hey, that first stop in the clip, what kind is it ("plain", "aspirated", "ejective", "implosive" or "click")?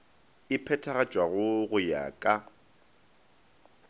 aspirated